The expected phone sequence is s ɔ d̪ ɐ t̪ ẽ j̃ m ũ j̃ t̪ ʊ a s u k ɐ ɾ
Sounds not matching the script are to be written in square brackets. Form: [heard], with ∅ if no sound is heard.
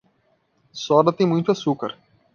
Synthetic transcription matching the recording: s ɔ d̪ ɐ t̪ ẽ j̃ m ũ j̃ t̪ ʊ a s u k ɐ ɾ